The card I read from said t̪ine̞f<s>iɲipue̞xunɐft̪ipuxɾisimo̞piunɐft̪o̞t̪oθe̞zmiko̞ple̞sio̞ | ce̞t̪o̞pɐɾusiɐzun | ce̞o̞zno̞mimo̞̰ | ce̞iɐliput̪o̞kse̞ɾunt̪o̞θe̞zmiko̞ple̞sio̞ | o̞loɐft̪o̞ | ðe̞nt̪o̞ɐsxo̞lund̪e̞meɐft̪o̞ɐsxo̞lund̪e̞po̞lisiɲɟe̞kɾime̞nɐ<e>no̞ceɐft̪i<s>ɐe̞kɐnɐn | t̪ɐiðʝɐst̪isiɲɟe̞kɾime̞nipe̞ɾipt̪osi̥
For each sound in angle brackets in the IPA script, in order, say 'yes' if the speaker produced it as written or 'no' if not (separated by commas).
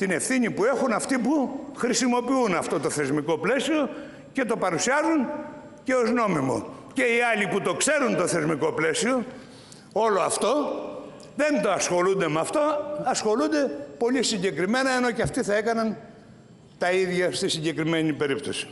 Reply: no, yes, no